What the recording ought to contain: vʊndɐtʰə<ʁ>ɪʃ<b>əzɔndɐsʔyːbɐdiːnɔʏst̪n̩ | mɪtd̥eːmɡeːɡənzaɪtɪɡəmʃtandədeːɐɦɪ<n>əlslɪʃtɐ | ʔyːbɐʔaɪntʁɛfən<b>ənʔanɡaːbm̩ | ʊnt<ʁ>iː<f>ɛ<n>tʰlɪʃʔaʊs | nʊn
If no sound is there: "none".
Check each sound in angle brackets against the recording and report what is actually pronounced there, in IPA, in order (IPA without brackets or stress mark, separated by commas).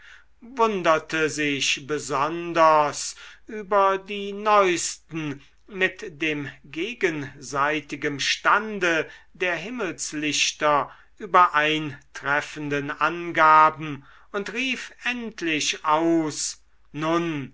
z, b, m, d, ʁ, f, n